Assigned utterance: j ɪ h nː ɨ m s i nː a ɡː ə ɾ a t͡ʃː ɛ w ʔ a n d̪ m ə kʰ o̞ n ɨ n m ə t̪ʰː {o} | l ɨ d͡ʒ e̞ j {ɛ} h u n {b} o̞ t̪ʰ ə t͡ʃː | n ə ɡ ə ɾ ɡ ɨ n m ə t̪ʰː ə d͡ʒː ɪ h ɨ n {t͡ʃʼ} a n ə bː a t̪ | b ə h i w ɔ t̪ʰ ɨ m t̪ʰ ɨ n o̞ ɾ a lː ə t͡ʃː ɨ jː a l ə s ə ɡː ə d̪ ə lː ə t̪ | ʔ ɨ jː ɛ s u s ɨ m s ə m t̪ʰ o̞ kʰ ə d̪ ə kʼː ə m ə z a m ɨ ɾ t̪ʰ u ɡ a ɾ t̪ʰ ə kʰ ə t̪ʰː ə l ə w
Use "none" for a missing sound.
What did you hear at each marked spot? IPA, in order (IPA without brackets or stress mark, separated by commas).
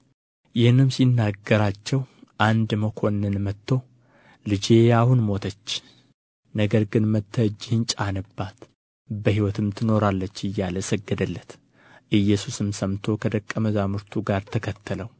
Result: o, a, m, t͡ʃʼ